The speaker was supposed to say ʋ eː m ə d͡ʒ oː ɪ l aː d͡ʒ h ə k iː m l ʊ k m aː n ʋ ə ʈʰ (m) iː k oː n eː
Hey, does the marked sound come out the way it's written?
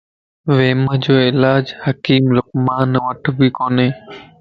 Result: no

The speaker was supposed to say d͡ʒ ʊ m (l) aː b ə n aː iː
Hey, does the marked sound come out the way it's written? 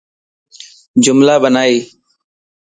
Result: yes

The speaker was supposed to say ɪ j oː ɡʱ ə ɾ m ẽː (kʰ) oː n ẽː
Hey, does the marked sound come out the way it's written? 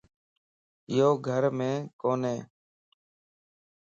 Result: no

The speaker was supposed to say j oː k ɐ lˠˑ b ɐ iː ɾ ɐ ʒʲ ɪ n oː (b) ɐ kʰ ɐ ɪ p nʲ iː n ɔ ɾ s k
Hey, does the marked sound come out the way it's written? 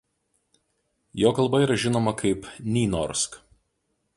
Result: no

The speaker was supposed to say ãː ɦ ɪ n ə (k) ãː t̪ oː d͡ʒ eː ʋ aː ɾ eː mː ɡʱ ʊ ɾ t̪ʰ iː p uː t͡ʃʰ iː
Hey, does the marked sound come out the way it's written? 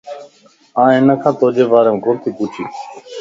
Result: no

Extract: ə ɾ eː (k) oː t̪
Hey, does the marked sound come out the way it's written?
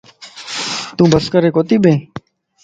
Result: yes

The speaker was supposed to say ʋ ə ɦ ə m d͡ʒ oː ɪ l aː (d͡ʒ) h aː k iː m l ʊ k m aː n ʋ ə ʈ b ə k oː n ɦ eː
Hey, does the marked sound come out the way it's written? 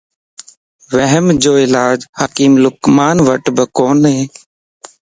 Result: yes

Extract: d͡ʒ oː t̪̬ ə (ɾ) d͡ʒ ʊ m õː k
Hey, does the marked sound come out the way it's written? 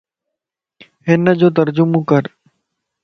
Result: yes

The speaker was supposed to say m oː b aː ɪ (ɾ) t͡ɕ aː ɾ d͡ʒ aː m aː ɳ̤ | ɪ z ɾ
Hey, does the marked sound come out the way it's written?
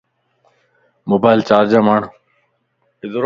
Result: no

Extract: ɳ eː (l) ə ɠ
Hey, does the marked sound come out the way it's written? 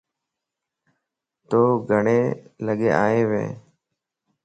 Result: yes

